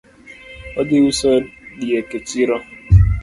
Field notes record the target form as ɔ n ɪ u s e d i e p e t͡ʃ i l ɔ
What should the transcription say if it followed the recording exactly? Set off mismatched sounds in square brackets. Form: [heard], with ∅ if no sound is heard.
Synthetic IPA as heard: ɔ [d] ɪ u s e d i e [k] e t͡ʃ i [ɾ] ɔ